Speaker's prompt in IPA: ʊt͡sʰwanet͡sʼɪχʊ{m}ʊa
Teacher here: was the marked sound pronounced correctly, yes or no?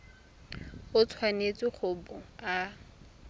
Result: no